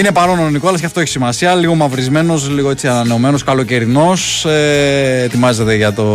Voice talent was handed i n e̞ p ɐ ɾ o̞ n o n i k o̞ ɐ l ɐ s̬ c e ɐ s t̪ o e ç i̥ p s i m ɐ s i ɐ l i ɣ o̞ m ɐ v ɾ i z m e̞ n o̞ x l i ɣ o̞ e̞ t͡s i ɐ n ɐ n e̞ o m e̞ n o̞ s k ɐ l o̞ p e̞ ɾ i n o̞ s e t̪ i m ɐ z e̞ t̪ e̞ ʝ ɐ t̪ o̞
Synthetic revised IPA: i n e̞ p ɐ ɾ o̞ n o n i k o̞ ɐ l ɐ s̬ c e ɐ f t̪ o e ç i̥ s i m ɐ s i ɐ l i ɣ o̞ m ɐ v ɾ i z m e̞ n o̞ s l i ɣ o̞ e̞ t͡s i ɐ n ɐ n e̞ o m e̞ n o̞ s k ɐ l o̞ c e̞ ɾ i n o̞ s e t̪ i m ɐ z e̞ t̪ e̞ ʝ ɐ t̪ o̞